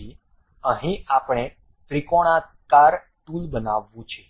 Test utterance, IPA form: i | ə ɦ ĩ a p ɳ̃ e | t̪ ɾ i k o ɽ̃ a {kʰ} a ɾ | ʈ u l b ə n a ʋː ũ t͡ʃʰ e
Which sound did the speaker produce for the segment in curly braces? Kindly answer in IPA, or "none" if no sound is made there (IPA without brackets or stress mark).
k